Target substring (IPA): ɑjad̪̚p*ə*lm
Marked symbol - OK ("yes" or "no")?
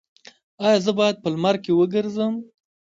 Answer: yes